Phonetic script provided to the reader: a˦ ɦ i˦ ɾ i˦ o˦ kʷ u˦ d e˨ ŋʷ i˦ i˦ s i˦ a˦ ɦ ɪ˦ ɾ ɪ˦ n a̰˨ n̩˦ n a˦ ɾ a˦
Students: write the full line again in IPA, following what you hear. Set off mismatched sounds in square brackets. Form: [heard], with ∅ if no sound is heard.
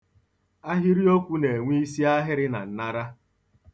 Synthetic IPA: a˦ ɦ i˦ ɾ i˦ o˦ kʷ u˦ [n] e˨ ŋʷ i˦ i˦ s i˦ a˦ ɦ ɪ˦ ɾ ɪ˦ n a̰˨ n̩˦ n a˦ ɾ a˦